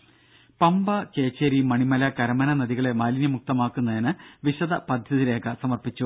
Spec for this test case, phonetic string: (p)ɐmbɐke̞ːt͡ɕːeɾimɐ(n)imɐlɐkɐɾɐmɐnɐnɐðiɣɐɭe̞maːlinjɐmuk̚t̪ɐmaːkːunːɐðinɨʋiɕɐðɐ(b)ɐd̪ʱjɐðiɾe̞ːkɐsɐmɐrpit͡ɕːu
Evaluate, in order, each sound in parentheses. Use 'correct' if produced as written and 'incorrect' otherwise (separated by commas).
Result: correct, incorrect, incorrect